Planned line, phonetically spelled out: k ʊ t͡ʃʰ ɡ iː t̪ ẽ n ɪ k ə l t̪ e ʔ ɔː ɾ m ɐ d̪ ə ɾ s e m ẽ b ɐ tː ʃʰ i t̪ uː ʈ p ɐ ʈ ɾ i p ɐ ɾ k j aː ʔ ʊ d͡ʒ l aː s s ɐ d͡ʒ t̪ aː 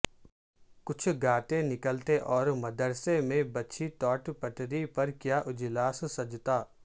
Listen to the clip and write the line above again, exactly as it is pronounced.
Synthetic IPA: k ʊ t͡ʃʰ ɡ aː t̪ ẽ n ɪ k ə l t̪ e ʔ ɔː ɾ m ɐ d̪ ə ɾ s e m ẽ b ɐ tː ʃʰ i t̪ ɔː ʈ p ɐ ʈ ɾ i p ɐ ɾ k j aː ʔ ʊ d͡ʒ l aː s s ɐ d͡ʒ t̪ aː